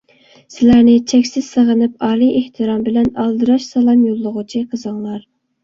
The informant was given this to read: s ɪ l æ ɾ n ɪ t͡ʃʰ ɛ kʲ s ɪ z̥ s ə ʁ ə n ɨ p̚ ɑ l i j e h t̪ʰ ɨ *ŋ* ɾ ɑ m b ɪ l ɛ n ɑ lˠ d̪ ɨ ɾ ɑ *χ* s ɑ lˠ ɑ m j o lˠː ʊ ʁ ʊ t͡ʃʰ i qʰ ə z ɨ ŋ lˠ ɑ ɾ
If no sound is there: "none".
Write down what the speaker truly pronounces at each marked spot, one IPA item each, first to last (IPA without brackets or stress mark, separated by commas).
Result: none, ʃ